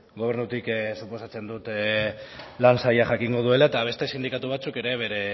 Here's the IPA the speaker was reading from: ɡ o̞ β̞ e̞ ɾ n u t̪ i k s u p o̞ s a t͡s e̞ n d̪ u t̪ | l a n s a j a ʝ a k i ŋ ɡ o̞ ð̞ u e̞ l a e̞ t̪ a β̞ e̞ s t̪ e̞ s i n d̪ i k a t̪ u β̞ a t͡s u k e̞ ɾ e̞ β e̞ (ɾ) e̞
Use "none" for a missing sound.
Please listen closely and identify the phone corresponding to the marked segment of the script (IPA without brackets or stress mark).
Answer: ɾ